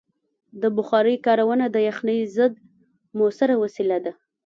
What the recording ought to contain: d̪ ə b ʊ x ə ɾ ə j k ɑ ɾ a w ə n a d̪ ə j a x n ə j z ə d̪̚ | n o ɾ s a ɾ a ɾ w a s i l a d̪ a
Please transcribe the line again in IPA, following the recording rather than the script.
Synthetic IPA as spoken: d̪ ə b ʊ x ɑ ɾ ə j k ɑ ɾ a w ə n a d̪ ə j a x n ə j z ə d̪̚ | m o s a ɾ a w a s i l a d̪ a